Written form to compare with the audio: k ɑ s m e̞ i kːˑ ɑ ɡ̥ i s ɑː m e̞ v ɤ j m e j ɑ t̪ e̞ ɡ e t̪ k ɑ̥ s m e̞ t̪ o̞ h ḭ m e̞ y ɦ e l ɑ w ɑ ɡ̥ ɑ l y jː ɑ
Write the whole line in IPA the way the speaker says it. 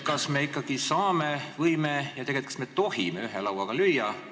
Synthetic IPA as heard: k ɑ s m e̞ i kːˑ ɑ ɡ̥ i s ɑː m e̞ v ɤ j m e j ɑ t̪ e̞ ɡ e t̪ k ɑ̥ s m e̞ t̪ o̞ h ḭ m e̞ y ɦ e l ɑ w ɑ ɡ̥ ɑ l y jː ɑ